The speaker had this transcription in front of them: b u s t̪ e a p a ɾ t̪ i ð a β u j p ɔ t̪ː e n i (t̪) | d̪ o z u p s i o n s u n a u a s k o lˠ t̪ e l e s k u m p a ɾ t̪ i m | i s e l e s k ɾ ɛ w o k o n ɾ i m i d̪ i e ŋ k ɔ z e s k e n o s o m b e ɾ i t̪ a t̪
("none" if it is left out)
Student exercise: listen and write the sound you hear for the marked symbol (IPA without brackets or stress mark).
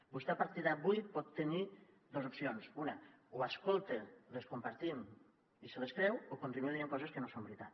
none